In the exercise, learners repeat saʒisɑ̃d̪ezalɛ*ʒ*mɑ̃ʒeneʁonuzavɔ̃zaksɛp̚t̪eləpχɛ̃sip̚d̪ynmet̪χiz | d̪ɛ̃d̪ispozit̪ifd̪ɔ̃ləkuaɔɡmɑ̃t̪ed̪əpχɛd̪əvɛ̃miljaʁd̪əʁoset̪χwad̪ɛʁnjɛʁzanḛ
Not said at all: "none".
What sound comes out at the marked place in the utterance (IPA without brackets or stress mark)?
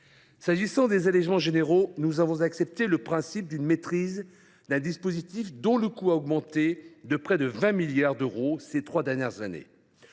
ʒ